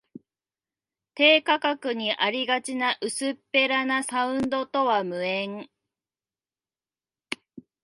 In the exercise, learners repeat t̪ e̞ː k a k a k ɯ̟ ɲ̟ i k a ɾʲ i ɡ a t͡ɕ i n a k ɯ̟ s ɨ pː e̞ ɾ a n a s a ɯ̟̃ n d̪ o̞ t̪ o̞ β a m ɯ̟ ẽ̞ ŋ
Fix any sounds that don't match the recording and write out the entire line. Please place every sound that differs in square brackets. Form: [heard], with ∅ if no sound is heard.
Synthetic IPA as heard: t̪ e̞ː k a k a k ɯ̟ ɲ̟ i [ʔ] a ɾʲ i ɡ a t͡ɕ i n a [ʔ] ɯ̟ s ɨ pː e̞ ɾ a n a s a ɯ̟̃ n d̪ o̞ t̪ o̞ β a m ɯ̟ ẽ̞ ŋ